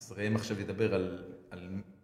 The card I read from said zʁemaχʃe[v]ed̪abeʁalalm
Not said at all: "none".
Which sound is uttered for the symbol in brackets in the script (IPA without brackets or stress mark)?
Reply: v